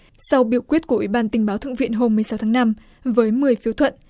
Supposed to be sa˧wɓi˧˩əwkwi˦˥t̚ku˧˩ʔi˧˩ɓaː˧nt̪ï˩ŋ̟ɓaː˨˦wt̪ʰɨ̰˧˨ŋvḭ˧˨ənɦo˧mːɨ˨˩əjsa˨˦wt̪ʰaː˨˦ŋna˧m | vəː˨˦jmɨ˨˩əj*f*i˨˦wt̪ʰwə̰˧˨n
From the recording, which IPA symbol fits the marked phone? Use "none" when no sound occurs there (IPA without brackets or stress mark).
f